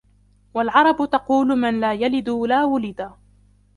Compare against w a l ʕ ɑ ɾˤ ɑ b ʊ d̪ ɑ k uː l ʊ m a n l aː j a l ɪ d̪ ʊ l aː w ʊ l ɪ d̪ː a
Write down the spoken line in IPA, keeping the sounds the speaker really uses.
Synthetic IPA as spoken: w a l ʕ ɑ ɾˤ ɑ b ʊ t̪ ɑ q uː l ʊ m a n l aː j a l ɪ d̪ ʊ l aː w ʊ l ɪ d̪ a